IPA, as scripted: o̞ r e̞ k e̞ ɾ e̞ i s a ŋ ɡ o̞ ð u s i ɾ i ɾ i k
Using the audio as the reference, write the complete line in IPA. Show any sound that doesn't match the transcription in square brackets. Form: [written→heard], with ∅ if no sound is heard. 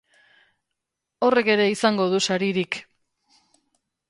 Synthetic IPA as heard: o̞ r e̞ k e̞ ɾ e̞ i s a ŋ ɡ o̞ ð u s [i→a] ɾ i ɾ i k